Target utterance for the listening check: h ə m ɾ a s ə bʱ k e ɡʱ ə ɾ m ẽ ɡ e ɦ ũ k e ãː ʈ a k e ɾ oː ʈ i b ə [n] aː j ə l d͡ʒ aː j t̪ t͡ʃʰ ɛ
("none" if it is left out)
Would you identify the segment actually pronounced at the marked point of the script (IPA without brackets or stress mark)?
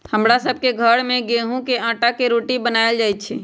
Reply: n